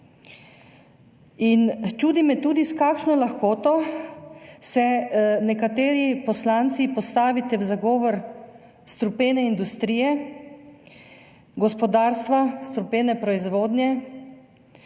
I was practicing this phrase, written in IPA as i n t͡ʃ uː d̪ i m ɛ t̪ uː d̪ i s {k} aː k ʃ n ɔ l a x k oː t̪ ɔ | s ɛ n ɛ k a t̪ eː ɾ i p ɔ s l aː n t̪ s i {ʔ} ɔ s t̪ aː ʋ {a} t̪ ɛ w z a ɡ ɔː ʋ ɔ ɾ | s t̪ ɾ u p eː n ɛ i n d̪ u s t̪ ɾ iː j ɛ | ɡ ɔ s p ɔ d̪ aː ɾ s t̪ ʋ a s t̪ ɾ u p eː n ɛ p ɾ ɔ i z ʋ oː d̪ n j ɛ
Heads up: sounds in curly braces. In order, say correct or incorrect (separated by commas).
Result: correct, incorrect, incorrect